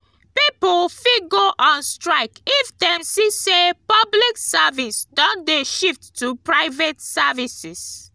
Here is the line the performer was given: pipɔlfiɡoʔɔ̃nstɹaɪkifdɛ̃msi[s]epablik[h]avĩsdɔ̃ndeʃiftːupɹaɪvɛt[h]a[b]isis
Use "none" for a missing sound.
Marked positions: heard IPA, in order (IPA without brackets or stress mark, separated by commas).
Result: s, s, s, v